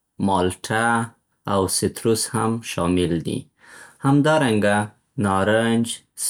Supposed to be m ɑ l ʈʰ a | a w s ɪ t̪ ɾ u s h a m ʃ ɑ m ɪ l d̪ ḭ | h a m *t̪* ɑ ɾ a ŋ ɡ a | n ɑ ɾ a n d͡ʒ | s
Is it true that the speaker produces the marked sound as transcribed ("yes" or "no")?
no